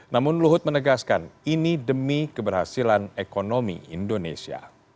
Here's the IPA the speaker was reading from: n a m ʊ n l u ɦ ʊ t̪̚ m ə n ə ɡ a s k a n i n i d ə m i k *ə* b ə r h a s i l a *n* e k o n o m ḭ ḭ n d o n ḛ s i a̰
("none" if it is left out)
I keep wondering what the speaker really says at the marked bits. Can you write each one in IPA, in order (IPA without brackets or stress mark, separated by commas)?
ə, n